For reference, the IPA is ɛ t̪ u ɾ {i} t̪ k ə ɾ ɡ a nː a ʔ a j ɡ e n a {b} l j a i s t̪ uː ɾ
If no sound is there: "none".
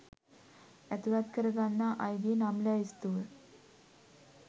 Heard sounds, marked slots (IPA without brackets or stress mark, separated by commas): a, m